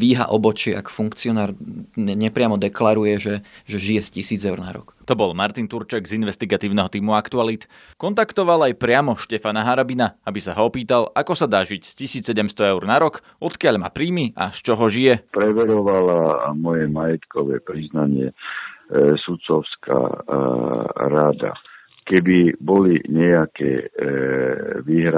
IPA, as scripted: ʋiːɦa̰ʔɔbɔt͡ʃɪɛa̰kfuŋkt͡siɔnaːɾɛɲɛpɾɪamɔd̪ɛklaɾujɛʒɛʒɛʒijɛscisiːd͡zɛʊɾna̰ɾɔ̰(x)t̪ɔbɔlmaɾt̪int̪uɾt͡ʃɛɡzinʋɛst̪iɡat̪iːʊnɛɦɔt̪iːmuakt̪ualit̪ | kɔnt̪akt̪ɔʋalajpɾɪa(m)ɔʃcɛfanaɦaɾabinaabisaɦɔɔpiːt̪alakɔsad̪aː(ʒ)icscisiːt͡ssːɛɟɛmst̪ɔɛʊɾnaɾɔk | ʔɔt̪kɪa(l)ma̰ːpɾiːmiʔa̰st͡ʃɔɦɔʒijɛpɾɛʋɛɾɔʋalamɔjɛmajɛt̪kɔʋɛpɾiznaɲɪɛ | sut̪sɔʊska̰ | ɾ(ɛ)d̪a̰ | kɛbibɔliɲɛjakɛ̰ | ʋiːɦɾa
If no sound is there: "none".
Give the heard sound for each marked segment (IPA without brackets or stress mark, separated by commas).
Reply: k, m, ʒ, ʎ, a